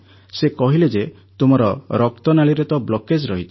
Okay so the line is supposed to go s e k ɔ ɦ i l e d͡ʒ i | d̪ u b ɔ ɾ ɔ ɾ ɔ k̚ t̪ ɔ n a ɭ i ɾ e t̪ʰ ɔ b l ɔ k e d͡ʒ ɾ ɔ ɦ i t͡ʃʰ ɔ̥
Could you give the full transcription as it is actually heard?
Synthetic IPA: s e k ɔ ɦ i l e d͡ʒ e | t̪ u m ɔ ɾ ɔ ɾ ɔ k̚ t̪ ɔ n a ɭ i ɾ e t̪ ɔ b l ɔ k e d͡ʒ ɾ ɔ ɦ i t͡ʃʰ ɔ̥